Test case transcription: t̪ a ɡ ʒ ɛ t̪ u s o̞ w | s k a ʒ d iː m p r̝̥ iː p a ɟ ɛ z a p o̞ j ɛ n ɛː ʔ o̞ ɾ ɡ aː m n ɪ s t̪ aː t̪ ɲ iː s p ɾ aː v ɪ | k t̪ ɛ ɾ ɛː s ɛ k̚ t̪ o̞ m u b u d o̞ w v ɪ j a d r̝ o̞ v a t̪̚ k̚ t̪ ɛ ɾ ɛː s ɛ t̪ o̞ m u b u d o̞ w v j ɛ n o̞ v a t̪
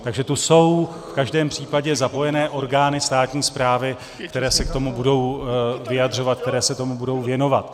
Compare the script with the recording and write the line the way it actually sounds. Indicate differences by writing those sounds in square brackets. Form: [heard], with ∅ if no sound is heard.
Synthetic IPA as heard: t̪ a ɡ ʒ ɛ t̪ u s o̞ w | [f] k a ʒ d [ɛː] m p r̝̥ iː p a ɟ ɛ z a p o̞ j ɛ n ɛː ʔ o̞ ɾ ɡ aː [∅] n ɪ s t̪ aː t̪ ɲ iː s p ɾ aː v ɪ | k t̪ ɛ ɾ ɛː s ɛ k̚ t̪ o̞ m u b u d o̞ w v ɪ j a d r̝ o̞ v a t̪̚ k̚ t̪ ɛ ɾ ɛː s ɛ t̪ o̞ m u b u d o̞ w v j ɛ n o̞ v a t̪

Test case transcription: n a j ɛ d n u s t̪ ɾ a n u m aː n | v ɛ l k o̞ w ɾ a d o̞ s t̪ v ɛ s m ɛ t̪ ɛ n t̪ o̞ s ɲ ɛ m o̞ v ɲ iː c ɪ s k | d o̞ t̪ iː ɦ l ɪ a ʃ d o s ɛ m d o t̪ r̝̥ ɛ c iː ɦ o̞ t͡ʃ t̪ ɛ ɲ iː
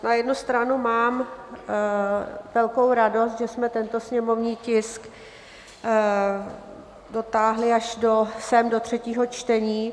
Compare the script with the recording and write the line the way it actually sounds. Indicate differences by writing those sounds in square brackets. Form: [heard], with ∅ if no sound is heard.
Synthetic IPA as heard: n a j ɛ d n u s t̪ ɾ a n u m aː [m] | v ɛ l k o̞ w ɾ a d o̞ s t̪ [ʒ] ɛ s m ɛ t̪ ɛ n t̪ o̞ s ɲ ɛ m o̞ v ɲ iː c ɪ s k | d o̞ t̪ [aː] ɦ l ɪ a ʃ d o s ɛ m d o t̪ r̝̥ ɛ c iː ɦ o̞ t͡ʃ t̪ ɛ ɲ iː

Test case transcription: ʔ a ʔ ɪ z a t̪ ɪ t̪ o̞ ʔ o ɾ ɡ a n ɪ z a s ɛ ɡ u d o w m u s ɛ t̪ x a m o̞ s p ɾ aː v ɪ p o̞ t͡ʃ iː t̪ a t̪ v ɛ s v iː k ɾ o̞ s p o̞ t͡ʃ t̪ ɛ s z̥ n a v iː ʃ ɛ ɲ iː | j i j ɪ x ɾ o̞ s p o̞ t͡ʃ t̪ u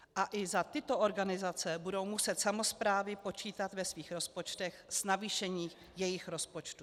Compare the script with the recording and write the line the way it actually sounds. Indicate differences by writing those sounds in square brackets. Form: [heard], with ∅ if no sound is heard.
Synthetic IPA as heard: ʔ a ʔ ɪ z a t̪ ɪ t̪ o̞ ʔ o ɾ ɡ a n ɪ z a [t͡s] ɛ [b] u d o w m u s ɛ t̪ [s] a m o̞ s p ɾ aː v ɪ p o̞ t͡ʃ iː t̪ a t̪ v ɛ s v iː [x] ɾ o̞ s p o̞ t͡ʃ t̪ ɛ [x] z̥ n a v iː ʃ ɛ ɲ iː | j [ɛ] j ɪ x ɾ o̞ s p o̞ t͡ʃ t̪ u

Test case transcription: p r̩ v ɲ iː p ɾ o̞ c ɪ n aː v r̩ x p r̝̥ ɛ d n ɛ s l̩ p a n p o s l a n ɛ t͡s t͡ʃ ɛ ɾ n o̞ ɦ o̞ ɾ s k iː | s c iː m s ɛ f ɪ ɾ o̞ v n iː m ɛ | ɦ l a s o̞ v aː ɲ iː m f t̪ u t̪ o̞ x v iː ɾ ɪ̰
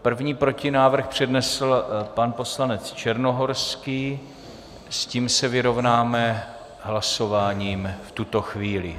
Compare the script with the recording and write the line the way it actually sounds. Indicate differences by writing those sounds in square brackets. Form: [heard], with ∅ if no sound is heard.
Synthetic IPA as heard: p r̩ v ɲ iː p ɾ o̞ c ɪ n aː v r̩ x p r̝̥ ɛ d n ɛ s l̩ p a n p o s l a n ɛ t͡s t͡ʃ ɛ ɾ n o̞ ɦ o̞ ɾ s k iː | s c iː m s ɛ [v] ɪ ɾ o̞ v n [aː] m ɛ | ɦ l a s o̞ v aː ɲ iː m f t̪ u t̪ o̞ x v iː [l] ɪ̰

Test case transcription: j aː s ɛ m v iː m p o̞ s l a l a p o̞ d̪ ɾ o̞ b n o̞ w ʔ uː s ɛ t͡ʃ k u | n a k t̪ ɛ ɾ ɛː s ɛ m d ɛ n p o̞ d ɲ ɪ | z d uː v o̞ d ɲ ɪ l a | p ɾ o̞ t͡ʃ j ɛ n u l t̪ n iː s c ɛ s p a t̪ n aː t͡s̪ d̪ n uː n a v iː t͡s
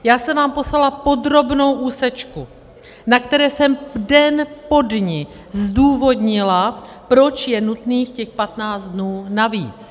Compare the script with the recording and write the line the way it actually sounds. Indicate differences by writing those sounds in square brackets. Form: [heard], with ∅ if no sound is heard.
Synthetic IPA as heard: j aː s ɛ m v [aː] m p o̞ s l a l a p o̞ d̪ ɾ o̞ b n o̞ w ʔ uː s ɛ t͡ʃ k u | n a k t̪ ɛ ɾ ɛː s ɛ m d ɛ n p o̞ d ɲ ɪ | z d uː v o̞ d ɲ ɪ l a | p ɾ o̞ t͡ʃ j ɛ n u [∅] t̪ n iː [x] c ɛ [x] p a t̪ n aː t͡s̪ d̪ n uː n a v iː t͡s

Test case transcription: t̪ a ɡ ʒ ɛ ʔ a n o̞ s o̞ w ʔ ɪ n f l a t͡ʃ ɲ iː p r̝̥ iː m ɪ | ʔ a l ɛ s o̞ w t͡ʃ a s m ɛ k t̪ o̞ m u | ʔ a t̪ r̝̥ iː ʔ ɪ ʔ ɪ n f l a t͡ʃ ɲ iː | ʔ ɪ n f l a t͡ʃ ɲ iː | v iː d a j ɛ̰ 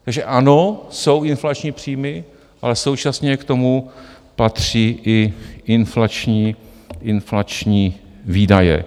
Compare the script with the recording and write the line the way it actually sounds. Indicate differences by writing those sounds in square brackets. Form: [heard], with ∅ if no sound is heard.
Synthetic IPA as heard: t̪ a ɡ ʒ ɛ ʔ a n o̞ s o̞ w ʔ ɪ n f l a t͡ʃ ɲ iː p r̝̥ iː m ɪ | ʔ a l ɛ s o̞ w t͡ʃ a s [ɲ] ɛ k t̪ o̞ m u | [p] a t̪ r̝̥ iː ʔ ɪ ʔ ɪ n f l a t͡ʃ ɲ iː | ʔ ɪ n f l a t͡ʃ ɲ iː | v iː d a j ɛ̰

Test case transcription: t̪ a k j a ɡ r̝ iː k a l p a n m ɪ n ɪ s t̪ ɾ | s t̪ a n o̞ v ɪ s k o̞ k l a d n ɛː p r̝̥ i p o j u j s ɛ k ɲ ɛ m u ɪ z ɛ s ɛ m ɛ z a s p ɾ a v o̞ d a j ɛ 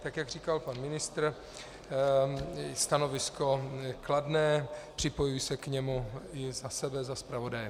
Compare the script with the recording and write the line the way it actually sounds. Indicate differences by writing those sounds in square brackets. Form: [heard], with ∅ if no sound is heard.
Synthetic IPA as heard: t̪ a k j a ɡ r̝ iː k a l p a n m ɪ n ɪ s t̪ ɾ | s t̪ a n o̞ v ɪ s k o̞ k l a d n ɛː p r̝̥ [ɪ] p o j u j s ɛ k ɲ ɛ m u ɪ z [a] s ɛ [b] ɛ z a s p ɾ a v o̞ d a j ɛ

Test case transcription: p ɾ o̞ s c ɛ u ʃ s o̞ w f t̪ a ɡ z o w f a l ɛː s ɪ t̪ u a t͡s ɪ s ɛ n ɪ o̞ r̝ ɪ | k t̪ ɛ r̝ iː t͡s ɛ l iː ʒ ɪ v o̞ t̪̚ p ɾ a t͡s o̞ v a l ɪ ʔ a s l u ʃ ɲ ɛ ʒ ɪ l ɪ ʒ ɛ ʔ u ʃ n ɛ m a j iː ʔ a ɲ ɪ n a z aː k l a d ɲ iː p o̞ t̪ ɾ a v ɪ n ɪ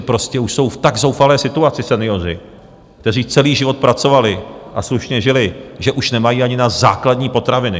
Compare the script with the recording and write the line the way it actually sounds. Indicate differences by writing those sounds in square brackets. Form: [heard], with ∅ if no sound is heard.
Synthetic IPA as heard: p ɾ o̞ s c ɛ u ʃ s o̞ w f t̪ a ɡ z o w f a l ɛː s ɪ t̪ u a t͡s ɪ s ɛ n ɪ o̞ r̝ ɪ | k t̪ ɛ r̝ iː t͡s ɛ l iː ʒ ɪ v o̞ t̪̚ p ɾ a t͡s o̞ v a l ɪ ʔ a s l u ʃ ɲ ɛ ʒ ɪ l ɪ ʒ ɛ ʔ u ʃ n ɛ m a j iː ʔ a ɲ ɪ n a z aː k l a d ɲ iː p o̞ t̪ ɾ a v ɪ n ɪ

